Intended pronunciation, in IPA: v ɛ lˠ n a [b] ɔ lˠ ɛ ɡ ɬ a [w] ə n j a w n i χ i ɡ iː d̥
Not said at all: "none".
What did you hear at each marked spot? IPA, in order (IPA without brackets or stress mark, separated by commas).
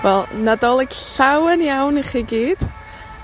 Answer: d, w